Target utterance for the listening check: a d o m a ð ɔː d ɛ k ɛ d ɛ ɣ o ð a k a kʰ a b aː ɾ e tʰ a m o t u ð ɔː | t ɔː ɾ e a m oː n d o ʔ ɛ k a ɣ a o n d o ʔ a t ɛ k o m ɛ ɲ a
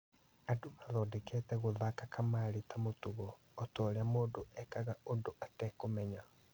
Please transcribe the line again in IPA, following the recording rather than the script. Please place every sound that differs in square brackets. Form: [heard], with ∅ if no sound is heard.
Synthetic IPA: a d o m a ð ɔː d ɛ k ɛ [t] ɛ ɣ o ð a k a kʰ a [m] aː ɾ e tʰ a m o t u [ɣ] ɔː | t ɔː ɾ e a m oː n d o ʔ ɛ k a ɣ a o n d o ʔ a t ɛ k o m ɛ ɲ a

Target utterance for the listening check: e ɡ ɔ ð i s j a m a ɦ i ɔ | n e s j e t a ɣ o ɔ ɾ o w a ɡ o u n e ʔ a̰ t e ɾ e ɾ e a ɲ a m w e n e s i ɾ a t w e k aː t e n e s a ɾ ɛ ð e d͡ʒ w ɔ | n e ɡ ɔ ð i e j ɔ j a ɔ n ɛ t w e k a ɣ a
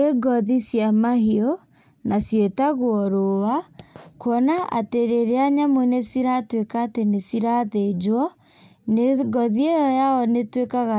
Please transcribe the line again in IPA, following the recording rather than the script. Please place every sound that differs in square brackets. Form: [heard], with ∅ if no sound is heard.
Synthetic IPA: e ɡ ɔ ð i s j a m a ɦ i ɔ | n [a] s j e t a ɣ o ɔ ɾ o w a [k] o [ɔ] n [a] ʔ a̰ t e ɾ e ɾ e a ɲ a m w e n e s i ɾ a t w e k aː t e n e s [i] ɾ [a] ð e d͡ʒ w ɔ | n e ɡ ɔ ð i e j ɔ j a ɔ n [e] t w e k a ɣ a

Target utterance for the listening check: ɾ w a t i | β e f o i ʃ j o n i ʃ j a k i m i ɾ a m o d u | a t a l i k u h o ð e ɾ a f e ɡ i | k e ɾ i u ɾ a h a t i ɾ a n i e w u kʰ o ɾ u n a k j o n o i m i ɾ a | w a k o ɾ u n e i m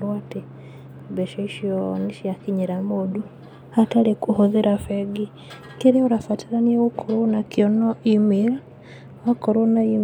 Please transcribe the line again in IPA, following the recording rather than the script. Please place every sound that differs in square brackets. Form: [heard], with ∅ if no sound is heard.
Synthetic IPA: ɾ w a t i | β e [ʃ] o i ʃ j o n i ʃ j a k i [ɲ] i ɾ a m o d u | a t a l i k u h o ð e ɾ a f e ɡ i | k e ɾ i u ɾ a [f] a t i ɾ a n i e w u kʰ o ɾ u n a k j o n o i m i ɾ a | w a k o ɾ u n [a] i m

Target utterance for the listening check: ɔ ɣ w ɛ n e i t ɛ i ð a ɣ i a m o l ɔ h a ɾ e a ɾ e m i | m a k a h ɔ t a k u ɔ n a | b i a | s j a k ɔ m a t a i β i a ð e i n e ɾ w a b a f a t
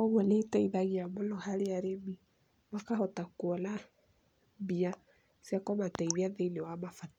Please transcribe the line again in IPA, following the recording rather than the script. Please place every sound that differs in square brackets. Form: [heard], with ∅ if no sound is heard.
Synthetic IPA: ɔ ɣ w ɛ n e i t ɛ i ð a ɣ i a m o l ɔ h a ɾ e a ɾ e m i | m a k a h ɔ t a k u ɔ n a | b i a | s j a k ɔ m a t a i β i a ð e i n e [∅] w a [m] a f a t

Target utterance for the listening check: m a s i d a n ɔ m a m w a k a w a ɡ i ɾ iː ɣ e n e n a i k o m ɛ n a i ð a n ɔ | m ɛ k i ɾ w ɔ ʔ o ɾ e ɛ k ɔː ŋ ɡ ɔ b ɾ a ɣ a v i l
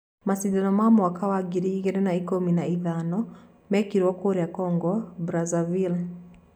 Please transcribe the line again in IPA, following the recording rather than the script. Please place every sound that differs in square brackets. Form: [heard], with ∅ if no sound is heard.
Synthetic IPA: m a s i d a n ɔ m a m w a k a w a ɡ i ɾ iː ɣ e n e n a i k o m [i] n a i ð a n ɔ | m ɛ k i ɾ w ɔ [k] o ɾ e [a] k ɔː ŋ ɡ ɔ b ɾ a [z] a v i l

